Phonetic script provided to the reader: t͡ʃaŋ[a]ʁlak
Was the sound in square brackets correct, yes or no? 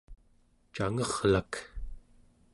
no